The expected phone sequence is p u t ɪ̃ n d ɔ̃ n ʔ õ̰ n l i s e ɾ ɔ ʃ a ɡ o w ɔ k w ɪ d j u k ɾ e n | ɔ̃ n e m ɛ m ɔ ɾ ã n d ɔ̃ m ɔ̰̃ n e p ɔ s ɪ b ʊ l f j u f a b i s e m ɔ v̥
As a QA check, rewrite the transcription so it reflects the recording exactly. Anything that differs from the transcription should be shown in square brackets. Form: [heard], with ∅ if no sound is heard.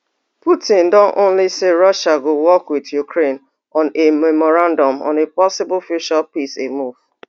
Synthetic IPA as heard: p u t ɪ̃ n d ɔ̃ n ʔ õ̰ n l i s e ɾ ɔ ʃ a ɡ o w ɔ k w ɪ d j u k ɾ e n | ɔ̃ n e m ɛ m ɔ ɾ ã n d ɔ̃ m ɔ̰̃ n e p ɔ s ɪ b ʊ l f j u [ʃ] a [p] i s e m [u] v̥

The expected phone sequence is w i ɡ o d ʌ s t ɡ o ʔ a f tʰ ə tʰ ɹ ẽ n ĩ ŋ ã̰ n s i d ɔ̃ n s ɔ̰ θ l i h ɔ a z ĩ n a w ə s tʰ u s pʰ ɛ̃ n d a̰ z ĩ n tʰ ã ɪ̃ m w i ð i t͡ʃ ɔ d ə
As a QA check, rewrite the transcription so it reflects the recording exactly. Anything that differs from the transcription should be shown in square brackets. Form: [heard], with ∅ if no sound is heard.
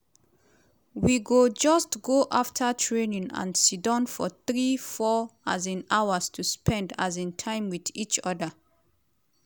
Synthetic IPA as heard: w i ɡ o [d͡ʒ] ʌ s t ɡ o ʔ a f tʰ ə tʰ ɹ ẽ n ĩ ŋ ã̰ n s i d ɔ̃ n [f] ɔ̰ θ [ɹ] i [f] ɔ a z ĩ n a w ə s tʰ u s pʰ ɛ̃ n d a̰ z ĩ n tʰ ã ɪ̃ m w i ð i t͡ʃ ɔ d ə

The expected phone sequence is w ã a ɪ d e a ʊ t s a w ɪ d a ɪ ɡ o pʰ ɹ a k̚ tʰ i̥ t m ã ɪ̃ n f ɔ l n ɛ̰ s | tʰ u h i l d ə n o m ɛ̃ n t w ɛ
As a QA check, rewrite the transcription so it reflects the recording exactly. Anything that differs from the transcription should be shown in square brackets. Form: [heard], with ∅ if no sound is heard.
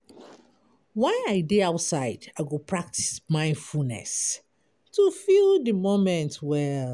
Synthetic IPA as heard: w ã a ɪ d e a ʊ t s a [∅] ɪ d a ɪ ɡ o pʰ ɹ a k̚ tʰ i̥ [s] m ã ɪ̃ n f [u] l n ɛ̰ s | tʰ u [f] i l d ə [m] o m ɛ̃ n t w ɛ

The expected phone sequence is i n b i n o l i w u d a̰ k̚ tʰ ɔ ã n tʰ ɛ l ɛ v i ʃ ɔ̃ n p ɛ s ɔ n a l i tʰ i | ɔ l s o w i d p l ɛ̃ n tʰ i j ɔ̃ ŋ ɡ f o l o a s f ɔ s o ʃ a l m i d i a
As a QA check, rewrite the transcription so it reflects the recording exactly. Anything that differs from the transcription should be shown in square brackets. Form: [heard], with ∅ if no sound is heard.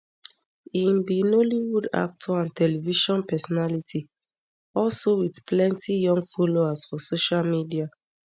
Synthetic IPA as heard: i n b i n o l i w u d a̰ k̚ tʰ ɔ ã n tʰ ɛ l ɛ v i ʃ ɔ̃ n p ɛ s ɔ n a l i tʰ i | ɔ l s o w i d p l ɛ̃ n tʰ i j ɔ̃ ŋ ɡ f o l o a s f ɔ s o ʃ a l m i d i a

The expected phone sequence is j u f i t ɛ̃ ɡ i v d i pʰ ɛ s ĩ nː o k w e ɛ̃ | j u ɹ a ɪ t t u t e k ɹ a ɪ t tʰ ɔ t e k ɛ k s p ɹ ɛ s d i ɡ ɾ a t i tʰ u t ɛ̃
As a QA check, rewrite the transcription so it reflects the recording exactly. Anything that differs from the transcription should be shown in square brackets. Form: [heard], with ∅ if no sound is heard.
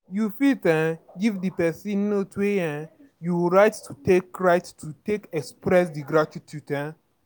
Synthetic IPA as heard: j u f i t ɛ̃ ɡ i v d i [p] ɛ s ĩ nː o [t] w e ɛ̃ | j u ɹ a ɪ t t u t e k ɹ a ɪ t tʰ [u] t e k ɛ k s p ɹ ɛ s d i ɡ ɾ a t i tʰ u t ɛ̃

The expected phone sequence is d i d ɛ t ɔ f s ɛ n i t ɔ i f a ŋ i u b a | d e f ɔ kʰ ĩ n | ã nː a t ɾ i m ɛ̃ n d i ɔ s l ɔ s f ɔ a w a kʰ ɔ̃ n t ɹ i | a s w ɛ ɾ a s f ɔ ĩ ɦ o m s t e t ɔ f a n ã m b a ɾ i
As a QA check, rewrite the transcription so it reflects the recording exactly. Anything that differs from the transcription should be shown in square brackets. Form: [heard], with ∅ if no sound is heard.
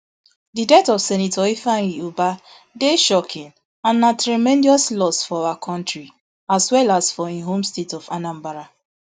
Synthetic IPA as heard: d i d ɛ t ɔ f s ɛ n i t ɔ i f a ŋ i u b a | d e [ʃ] ɔ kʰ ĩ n | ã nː a t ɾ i m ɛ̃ n d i ɔ s l ɔ s f ɔ a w a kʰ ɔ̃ n t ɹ i | a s w ɛ [l] a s f ɔ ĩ ɦ o m s t e t ɔ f a n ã m b a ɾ [a]

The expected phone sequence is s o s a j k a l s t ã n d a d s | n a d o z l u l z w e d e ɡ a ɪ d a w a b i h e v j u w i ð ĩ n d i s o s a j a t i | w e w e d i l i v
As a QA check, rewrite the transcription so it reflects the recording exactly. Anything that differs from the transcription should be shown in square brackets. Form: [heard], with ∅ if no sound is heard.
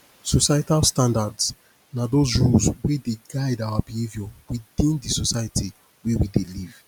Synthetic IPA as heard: s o s a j [t] a l s t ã n d a d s | n a d o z [ɹ] u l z w e d e ɡ a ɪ d a w a b i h e v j [ɔ] w i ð ĩ n d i s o s a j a t i | w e w [i] d [e] l i v

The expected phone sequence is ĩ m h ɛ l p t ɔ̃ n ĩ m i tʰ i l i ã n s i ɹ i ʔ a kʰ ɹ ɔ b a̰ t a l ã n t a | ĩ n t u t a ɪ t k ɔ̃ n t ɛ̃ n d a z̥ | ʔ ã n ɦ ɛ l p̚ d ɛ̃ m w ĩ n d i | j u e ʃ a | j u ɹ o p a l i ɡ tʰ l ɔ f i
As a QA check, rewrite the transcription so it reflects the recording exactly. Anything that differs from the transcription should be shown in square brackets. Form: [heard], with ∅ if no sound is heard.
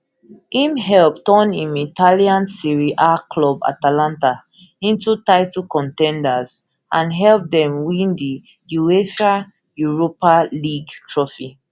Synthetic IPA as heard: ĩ m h ɛ l p t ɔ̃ n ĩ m i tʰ [a] l i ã n s i ɹ i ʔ a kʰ [l] ɔ b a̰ t a l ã n t a | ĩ n t u t a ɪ t k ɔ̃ n t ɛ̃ n d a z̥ | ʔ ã n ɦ ɛ l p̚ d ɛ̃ m w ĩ n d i | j u e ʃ a | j u ɹ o p a l i ɡ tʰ [ɹ] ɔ f i

